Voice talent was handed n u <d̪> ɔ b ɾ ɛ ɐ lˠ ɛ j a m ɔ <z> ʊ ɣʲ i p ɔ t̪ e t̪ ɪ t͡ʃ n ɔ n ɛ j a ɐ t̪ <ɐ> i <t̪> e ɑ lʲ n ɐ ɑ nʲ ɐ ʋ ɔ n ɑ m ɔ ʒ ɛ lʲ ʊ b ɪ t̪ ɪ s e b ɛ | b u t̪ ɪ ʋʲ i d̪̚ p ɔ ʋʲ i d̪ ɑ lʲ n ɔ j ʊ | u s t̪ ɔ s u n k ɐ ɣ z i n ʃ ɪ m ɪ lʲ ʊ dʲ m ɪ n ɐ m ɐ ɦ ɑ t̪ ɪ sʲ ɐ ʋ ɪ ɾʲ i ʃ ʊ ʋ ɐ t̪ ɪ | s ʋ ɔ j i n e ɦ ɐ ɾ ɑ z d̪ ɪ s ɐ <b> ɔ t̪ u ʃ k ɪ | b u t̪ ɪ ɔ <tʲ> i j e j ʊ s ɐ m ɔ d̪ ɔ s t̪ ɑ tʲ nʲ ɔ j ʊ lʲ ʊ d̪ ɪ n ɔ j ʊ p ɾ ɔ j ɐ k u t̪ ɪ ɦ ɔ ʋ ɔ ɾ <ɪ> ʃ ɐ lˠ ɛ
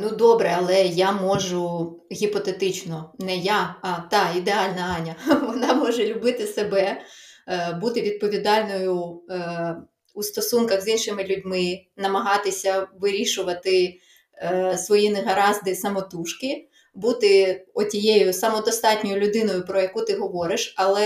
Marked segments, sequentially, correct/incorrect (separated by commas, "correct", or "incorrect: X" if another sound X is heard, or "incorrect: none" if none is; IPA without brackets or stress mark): correct, incorrect: ʒ, incorrect: ɑ, incorrect: d̪, incorrect: m, correct, correct